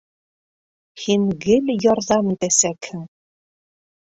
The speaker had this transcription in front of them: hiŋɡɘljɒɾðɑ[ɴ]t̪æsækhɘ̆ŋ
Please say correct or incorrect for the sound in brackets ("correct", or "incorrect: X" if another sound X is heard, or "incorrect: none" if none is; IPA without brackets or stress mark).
incorrect: m